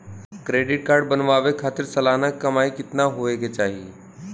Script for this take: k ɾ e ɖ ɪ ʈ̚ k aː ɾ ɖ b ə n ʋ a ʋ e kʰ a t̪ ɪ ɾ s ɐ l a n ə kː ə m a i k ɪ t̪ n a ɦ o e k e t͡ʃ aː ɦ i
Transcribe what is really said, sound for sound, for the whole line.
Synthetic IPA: k ɾ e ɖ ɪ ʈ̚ k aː ɾ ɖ b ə n ʋ a ʋ e kʰ a t̪ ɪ ɾ s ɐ l a n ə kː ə m a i k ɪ t̪ n a ɦ o e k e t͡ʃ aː ɦ i